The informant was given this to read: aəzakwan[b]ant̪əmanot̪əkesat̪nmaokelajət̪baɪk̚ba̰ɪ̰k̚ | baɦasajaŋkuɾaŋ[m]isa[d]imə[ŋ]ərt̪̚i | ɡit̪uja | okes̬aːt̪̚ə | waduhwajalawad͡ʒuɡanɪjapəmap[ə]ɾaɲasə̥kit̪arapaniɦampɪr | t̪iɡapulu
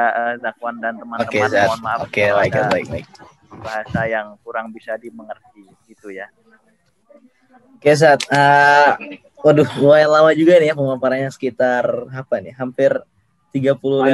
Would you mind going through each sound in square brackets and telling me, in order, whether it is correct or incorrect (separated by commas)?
incorrect, incorrect, correct, correct, incorrect